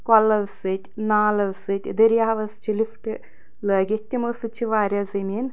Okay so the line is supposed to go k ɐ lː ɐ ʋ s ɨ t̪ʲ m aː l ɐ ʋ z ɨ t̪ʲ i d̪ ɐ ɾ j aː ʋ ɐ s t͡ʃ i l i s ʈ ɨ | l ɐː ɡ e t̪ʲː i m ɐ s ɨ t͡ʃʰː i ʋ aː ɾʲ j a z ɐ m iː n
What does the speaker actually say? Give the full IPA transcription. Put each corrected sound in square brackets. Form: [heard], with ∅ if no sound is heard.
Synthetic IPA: k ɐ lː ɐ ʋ s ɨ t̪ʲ [n] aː l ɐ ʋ [s] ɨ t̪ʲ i d̪ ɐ ɾ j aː ʋ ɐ s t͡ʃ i l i [f] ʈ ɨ | l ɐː ɡ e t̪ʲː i m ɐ s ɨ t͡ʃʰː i ʋ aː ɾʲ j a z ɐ m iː n